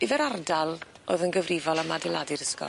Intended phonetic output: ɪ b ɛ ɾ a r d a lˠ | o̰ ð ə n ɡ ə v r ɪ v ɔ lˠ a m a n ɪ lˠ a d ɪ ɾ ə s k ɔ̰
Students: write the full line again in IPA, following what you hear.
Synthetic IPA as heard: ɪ v ɛ ɾ a r d a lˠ | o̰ ð ə n ɡ ə v r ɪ v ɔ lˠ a m a d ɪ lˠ a d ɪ ɾ ə s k ɔ̰